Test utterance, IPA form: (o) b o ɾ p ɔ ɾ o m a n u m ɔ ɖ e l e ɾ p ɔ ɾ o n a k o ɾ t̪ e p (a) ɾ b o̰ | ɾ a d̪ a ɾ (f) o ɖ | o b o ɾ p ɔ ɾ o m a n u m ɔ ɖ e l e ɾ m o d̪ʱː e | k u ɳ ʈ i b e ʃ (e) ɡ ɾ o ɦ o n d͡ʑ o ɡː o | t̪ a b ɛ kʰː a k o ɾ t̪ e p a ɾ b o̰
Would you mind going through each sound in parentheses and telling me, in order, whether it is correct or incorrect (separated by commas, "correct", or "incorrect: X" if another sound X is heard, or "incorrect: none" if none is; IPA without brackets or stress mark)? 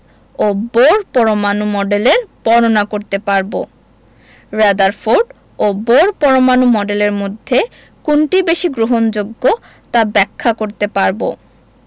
correct, correct, correct, incorrect: i